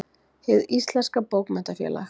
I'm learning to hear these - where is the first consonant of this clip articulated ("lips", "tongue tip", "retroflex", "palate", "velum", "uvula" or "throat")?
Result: throat